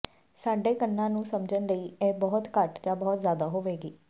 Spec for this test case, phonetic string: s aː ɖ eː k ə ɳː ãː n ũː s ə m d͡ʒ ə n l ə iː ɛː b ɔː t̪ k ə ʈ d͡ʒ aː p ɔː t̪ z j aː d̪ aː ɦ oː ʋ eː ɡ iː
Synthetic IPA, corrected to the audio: s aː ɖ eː k ə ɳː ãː n ũː s ə m d͡ʒ ə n l ə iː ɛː b ɔː t̪ k ə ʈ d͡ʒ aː b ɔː t̪ z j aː d̪ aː ɦ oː ʋ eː ɡ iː